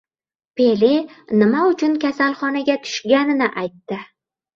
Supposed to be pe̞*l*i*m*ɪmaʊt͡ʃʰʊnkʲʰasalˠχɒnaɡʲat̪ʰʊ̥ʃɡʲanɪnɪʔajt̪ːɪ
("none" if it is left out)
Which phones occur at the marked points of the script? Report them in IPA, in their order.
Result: l, n

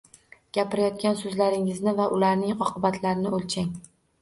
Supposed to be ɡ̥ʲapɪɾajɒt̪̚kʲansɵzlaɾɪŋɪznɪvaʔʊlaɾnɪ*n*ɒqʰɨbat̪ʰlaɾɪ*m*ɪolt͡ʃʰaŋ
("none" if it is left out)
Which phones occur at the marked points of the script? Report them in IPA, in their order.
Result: ŋ, n

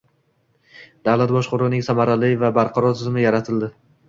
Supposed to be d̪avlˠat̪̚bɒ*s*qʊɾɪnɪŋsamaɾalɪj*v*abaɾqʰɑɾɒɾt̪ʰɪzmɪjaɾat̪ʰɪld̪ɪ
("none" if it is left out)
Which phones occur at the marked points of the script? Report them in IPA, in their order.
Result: ʃ, v

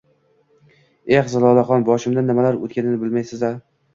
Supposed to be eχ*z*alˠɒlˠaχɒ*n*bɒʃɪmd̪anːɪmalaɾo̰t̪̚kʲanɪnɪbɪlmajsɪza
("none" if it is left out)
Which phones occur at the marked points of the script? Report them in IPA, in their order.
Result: z, n

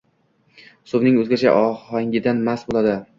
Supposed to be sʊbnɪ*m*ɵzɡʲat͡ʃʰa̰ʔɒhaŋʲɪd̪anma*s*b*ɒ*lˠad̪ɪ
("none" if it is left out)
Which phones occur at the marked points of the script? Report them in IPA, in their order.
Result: ŋ, s, o

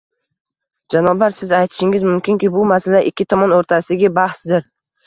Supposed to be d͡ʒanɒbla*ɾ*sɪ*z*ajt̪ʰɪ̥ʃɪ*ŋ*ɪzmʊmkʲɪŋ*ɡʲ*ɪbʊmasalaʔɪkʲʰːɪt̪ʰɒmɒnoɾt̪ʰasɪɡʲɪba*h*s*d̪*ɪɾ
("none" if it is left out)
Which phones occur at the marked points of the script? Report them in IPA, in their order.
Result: ɾ, z, ŋ, kʲ, h, d̪

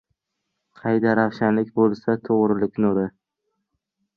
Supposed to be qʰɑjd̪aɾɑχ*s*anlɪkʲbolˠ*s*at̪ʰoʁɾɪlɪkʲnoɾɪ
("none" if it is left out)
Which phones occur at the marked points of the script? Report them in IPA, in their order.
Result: ʃ, s

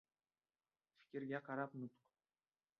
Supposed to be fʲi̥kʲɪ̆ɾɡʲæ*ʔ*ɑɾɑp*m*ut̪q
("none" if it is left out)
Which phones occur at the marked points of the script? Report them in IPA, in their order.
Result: q, n

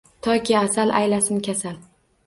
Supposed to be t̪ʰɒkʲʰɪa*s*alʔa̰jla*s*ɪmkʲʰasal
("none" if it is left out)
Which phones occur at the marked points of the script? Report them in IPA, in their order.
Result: s, s

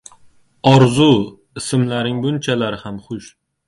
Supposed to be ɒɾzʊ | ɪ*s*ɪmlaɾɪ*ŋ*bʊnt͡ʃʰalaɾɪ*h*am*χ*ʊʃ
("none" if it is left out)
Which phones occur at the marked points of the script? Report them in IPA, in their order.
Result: s, ŋ, h, χ

